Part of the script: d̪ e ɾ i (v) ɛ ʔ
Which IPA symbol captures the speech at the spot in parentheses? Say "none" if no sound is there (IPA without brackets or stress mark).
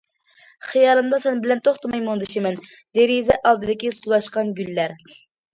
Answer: z